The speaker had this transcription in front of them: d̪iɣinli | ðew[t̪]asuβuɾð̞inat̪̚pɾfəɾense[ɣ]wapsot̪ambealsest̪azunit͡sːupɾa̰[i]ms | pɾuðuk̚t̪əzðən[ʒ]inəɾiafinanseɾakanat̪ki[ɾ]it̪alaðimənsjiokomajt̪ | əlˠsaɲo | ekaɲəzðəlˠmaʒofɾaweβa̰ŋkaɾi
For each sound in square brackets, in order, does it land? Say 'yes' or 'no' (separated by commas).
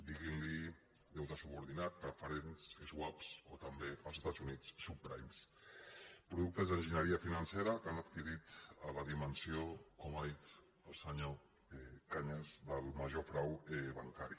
yes, no, no, yes, yes